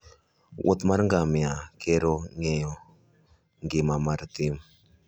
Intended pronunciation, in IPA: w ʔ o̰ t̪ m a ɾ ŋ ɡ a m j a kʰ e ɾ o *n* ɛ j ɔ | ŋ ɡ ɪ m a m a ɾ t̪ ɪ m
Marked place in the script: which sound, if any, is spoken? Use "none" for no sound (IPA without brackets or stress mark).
ŋ